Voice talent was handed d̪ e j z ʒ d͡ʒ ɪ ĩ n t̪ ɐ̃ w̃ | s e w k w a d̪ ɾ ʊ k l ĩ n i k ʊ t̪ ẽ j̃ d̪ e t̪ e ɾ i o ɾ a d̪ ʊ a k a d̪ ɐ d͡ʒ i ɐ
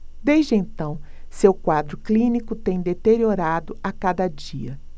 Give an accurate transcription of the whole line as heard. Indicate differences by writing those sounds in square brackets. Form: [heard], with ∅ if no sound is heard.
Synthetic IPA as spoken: d̪ e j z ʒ d͡ʒ ɪ [ẽ] n t̪ ɐ̃ w̃ | s e w k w a d̪ ɾ ʊ k l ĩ n i k ʊ t̪ ẽ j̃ d̪ e t̪ e ɾ i o ɾ a d̪ ʊ a k a d̪ ɐ d͡ʒ i ɐ